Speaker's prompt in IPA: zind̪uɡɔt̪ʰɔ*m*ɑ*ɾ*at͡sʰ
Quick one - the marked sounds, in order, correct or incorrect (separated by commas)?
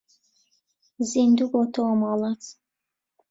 correct, incorrect